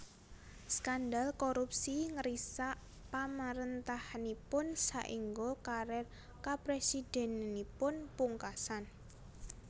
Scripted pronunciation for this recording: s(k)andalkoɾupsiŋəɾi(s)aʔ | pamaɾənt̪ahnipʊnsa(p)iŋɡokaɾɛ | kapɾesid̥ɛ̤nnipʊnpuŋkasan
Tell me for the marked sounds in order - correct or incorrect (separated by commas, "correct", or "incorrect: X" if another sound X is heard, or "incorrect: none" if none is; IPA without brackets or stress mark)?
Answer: correct, correct, incorrect: ʔ